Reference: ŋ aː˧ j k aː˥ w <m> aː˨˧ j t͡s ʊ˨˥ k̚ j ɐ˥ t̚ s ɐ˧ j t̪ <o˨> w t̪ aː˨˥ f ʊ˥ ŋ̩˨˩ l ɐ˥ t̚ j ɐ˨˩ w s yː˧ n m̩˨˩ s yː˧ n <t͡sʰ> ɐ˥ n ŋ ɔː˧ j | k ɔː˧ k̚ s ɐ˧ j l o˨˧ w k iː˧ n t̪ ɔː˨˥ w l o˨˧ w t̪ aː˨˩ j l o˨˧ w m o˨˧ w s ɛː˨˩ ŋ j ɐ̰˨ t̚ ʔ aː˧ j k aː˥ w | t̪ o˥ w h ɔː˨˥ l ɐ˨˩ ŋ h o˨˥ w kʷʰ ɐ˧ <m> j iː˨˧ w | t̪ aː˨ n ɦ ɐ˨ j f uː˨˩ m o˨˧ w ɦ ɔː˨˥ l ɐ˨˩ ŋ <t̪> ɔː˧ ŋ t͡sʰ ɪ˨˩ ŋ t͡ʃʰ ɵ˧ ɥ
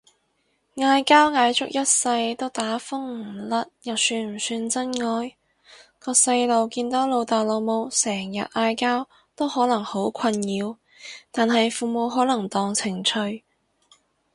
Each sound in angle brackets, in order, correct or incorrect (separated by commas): incorrect, incorrect, incorrect, incorrect, correct